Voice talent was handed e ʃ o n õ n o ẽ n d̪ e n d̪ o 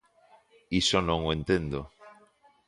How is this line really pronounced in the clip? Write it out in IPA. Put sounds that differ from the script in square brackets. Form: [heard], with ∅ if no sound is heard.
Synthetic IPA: [i] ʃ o n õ [ŋ] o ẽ n [t̪] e n d̪ o